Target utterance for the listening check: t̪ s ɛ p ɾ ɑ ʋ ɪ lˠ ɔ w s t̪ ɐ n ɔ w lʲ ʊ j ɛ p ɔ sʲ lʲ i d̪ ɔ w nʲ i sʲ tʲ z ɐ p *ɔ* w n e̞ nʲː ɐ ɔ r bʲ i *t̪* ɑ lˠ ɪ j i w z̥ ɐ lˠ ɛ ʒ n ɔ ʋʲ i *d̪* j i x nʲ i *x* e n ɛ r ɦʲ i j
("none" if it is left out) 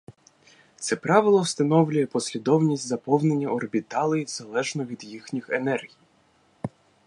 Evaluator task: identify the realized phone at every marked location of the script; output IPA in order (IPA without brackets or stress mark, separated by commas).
ɔ, t̪, d̪, x